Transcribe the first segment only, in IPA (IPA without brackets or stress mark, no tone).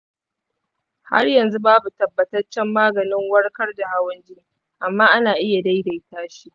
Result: h